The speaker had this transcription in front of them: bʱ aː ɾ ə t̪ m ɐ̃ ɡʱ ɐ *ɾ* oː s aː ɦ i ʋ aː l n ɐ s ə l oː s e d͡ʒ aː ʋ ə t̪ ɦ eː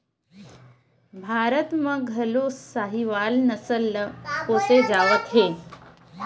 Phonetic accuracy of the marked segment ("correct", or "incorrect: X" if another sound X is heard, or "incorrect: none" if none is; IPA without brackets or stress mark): incorrect: l